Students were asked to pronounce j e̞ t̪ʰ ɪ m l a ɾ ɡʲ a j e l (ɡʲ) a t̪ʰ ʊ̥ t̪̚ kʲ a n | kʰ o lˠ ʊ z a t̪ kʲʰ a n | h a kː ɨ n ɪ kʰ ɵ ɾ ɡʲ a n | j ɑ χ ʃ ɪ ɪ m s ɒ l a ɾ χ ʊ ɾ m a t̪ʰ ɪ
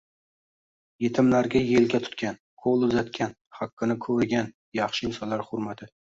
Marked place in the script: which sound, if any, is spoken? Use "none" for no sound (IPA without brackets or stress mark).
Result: ɡʲ